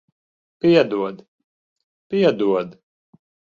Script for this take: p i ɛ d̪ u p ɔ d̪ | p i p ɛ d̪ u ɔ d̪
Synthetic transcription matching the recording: p i ɛ d̪ u ɔ d̪ | p i ɛ d̪ u ɔ d̪